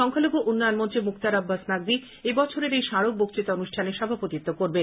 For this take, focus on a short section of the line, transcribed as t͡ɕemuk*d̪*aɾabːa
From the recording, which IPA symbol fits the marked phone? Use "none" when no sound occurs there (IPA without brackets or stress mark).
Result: t̪